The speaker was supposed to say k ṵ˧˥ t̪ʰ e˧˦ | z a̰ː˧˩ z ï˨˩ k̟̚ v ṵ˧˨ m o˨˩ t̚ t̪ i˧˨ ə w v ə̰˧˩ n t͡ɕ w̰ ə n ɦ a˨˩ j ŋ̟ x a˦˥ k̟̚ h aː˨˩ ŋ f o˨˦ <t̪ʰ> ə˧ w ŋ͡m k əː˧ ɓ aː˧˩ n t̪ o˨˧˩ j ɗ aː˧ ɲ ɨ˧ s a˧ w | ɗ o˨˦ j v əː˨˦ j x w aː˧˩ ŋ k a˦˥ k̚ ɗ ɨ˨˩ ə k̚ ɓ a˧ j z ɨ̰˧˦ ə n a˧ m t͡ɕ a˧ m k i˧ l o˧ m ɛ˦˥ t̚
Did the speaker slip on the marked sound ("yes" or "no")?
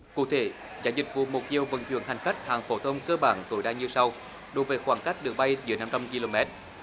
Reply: no